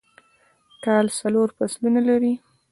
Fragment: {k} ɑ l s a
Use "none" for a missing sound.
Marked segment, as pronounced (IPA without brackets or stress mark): k